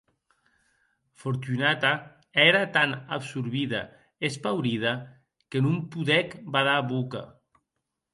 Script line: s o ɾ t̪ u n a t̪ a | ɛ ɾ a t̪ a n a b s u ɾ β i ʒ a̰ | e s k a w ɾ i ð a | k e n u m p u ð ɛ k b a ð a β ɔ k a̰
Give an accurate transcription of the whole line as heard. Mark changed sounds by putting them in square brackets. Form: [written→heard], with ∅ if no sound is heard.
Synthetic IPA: [s→f] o ɾ t̪ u n a t̪ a | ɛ ɾ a t̪ a n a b s u ɾ β i [ʒ→ð] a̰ | e s [k→p] a w ɾ i ð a | k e n u m p u ð ɛ k b a ð a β [ɔ→u] k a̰